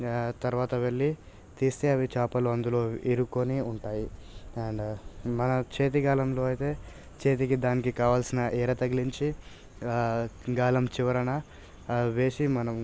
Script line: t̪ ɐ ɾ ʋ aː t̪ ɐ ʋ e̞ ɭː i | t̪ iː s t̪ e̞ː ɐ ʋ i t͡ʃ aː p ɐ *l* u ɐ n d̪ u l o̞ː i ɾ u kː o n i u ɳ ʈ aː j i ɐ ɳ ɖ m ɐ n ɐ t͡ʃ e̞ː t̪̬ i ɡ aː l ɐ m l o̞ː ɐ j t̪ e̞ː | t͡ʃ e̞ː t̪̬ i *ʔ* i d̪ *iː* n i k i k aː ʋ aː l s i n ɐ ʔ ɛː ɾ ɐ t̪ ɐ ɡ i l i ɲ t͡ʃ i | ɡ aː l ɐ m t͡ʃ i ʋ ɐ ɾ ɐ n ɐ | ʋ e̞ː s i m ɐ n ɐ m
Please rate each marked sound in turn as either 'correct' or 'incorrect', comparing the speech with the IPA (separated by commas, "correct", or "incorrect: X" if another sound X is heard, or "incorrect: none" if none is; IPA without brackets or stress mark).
correct, incorrect: k, incorrect: aː